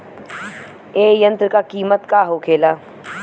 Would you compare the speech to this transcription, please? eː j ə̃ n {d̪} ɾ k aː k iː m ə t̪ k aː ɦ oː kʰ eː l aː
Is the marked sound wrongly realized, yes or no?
yes